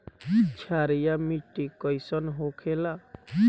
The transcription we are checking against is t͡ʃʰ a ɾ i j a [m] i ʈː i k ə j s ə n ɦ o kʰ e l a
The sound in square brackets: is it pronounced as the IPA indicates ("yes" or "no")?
yes